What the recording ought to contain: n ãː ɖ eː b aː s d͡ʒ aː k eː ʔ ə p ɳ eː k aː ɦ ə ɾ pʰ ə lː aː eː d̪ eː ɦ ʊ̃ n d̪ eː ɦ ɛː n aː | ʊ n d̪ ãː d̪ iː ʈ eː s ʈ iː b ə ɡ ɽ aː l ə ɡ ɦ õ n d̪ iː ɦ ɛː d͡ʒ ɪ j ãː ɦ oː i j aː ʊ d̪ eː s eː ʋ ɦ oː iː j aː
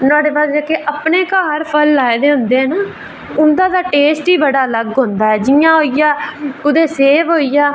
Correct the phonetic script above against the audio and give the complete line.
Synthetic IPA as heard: n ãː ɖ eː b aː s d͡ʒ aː k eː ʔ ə p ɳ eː k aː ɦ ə ɾ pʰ ə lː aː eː d̪ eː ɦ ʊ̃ n d̪ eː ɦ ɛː n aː | ʊ n d̪ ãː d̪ aː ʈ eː s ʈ iː b ə ɽ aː l ə ɡ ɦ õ n d̪ aː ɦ ɛː d͡ʒ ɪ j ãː ɦ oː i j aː ʊ d̪ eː s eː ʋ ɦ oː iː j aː